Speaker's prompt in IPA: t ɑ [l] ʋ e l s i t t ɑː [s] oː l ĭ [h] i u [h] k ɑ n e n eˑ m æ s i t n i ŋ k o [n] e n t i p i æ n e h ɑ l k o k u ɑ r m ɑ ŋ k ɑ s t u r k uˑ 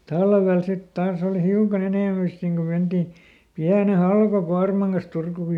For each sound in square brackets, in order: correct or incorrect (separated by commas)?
correct, correct, correct, incorrect, incorrect